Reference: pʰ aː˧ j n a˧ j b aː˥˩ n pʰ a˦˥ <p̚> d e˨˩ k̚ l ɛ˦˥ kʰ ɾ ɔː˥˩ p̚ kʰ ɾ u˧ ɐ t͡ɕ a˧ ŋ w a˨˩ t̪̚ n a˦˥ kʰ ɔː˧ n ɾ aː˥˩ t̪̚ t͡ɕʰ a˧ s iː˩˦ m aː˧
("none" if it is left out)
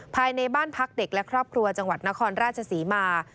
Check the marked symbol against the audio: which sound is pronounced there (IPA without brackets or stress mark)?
k̚